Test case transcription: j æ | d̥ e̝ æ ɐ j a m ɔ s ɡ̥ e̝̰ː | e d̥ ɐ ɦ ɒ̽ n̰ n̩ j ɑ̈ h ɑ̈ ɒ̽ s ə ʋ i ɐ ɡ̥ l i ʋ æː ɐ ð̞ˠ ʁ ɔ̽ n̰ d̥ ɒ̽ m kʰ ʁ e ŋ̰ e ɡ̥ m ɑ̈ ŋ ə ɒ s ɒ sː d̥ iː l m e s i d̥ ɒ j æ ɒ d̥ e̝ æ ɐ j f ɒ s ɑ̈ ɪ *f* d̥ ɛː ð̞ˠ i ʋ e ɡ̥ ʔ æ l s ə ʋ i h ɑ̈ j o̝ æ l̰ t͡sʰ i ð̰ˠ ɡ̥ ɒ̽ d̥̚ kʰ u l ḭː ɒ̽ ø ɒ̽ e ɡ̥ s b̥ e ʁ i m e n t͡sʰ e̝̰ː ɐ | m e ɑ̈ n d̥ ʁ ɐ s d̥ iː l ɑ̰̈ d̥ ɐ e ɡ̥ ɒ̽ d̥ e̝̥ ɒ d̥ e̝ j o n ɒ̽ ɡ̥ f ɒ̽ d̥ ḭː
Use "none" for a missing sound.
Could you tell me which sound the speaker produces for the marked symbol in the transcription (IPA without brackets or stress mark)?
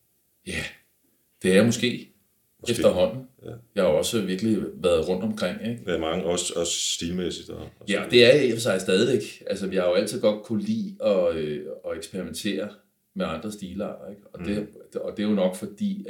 s